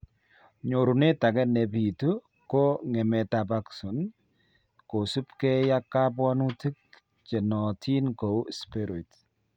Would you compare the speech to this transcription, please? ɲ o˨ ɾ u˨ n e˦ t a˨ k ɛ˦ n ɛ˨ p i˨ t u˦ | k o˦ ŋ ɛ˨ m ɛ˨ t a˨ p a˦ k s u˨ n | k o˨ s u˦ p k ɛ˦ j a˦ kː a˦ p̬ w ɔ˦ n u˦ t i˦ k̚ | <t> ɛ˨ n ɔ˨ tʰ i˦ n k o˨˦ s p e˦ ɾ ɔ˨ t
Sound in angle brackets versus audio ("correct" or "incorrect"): incorrect